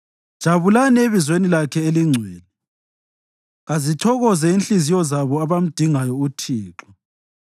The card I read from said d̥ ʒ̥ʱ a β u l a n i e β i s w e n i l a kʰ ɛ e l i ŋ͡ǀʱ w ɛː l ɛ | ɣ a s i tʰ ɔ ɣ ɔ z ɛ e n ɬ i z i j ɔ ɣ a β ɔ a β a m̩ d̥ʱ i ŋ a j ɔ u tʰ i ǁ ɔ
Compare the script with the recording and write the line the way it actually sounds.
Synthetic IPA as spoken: d̥ ʒ̥ʱ a β u l a n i e β i z w e n i l a kʰ ɛ e l i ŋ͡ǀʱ w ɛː l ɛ | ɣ a z i tʰ ɔ ɣ ɔ z ɛ i n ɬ i z i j ɔ z a β ɔ a β a m̩ d̥ʱ i ŋ a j ɔ u tʰ iː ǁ ɔ